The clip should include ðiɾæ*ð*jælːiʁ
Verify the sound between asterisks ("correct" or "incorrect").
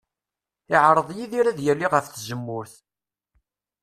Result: correct